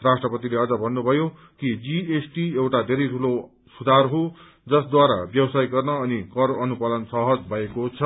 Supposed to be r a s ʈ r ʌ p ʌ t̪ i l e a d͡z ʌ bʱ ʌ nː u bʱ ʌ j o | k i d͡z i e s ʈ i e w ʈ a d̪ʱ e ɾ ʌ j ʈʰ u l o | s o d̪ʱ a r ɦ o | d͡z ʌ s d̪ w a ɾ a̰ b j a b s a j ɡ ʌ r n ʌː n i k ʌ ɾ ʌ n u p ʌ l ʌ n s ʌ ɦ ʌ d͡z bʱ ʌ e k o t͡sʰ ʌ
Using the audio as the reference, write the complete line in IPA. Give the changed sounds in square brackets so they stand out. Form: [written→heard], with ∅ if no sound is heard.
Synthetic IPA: r a s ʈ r ʌ p ʌ t̪ i l e [a→ʌ] d͡z ʌ bʱ ʌ nː u bʱ ʌ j o | k i d͡z i e s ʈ i e w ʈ a d̪ʱ e ɾ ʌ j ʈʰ u l o | s [o→u] d̪ʱ a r ɦ o | d͡z ʌ s d̪ w a ɾ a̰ b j [a→ʌ] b s a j ɡ ʌ r n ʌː n i k ʌ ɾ ʌ n u p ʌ l ʌ n s ʌ ɦ ʌ d͡z bʱ ʌ e k o t͡sʰ ʌ